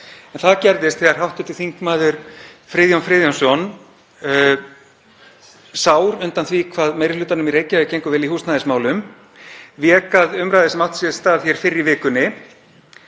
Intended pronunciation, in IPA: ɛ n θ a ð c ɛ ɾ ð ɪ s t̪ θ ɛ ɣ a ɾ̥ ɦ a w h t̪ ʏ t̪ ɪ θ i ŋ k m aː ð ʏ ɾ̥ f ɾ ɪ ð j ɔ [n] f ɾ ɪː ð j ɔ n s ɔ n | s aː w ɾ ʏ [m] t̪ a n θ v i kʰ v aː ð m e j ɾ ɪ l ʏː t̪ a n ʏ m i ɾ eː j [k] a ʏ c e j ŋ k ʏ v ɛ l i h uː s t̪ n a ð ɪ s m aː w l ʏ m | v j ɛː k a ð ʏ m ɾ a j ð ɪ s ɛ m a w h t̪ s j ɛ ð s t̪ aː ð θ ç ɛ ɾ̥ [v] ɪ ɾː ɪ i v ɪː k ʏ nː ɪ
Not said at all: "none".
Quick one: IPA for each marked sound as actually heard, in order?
n, n, c, f

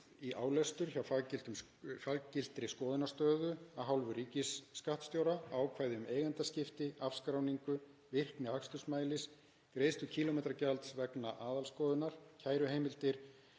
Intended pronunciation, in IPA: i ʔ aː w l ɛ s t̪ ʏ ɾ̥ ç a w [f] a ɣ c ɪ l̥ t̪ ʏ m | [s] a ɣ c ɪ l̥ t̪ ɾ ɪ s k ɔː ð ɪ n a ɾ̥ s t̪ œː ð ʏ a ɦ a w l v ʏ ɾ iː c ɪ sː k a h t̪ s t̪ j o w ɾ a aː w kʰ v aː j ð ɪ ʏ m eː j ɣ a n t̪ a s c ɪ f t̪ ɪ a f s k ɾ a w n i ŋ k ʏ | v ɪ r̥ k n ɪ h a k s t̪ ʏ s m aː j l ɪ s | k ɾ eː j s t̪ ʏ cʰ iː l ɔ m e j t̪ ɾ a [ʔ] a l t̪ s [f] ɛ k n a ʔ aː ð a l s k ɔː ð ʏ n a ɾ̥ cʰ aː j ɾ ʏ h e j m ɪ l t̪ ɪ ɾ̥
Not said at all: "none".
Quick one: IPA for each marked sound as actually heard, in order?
f, f, c, v

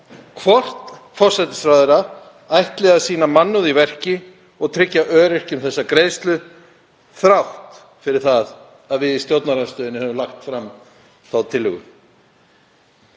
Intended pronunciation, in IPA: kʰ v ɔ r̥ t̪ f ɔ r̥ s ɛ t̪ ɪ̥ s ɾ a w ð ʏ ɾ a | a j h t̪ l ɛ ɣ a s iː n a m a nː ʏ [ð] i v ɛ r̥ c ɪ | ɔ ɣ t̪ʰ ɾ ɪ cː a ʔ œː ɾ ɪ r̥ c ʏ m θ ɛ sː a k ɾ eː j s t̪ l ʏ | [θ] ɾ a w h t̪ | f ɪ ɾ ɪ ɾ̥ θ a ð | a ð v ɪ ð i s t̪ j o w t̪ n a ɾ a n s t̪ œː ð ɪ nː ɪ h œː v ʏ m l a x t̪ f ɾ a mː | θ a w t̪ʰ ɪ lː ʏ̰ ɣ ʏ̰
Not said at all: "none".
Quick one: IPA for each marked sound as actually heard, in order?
ð, θ

